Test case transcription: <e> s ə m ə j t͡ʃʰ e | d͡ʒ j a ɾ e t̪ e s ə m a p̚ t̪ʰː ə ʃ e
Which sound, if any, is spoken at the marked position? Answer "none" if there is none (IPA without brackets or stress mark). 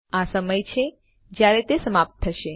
a